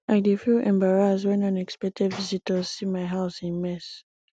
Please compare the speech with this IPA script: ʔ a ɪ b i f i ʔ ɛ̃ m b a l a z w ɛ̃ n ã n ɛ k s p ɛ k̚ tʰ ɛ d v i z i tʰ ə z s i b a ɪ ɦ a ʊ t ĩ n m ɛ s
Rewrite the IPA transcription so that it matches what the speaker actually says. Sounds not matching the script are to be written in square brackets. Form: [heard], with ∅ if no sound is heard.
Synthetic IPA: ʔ a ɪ [d] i f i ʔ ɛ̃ m b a [ɹ] a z w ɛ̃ n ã n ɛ k s p ɛ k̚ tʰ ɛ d v i z i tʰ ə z s i [m] a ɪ ɦ a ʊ [s] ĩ n m ɛ s